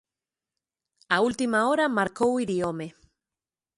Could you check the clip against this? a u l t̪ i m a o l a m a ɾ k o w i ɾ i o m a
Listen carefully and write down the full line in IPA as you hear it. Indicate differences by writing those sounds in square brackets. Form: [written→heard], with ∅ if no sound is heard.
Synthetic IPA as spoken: a u l t̪ i m a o [l→ɾ] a m a ɾ k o w i ɾ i o m [a→e]